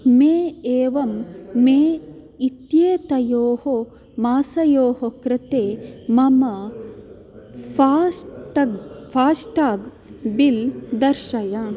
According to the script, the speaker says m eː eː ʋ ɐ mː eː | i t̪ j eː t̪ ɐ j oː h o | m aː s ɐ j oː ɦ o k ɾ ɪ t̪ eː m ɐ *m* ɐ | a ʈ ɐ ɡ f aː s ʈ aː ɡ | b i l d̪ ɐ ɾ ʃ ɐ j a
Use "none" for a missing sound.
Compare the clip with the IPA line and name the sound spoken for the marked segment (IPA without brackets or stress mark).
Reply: m